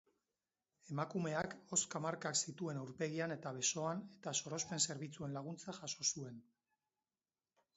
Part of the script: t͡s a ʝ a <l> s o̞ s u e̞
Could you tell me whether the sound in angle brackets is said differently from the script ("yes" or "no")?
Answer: yes